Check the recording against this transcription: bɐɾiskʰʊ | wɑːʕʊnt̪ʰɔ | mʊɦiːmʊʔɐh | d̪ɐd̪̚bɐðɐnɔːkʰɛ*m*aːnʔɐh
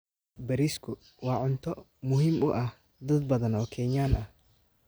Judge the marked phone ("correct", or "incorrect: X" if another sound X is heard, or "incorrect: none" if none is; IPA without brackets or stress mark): incorrect: ɲ